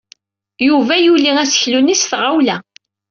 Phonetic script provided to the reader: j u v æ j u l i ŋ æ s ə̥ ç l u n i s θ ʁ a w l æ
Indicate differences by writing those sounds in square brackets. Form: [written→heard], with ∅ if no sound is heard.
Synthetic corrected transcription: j u v æ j u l i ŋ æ s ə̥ ç l u n i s θ ʁ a w l æ